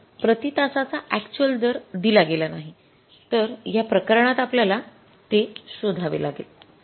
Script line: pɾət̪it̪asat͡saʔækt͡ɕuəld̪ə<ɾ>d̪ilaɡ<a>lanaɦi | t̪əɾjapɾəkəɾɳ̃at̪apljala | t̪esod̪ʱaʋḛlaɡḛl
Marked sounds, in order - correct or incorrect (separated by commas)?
correct, incorrect